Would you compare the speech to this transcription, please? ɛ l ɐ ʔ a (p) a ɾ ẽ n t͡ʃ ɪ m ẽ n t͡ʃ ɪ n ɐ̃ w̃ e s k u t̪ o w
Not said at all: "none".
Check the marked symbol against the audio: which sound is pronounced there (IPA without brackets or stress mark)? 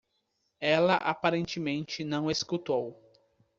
p